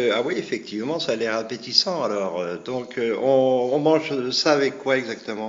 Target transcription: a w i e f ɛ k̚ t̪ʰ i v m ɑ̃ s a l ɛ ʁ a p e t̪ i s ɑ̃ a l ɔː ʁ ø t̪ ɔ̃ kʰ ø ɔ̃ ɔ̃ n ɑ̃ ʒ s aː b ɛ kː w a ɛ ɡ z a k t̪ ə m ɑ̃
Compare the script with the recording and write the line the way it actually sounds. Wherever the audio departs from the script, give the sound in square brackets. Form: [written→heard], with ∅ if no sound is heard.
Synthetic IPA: a w i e f ɛ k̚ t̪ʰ i v m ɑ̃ s a l ɛ ʁ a p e t̪ i s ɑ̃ a l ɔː ʁ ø [t̪→d̪] ɔ̃ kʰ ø ɔ̃ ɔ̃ [n→m] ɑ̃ ʒ s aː [b→v] ɛ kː w a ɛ ɡ z a k t̪ ə m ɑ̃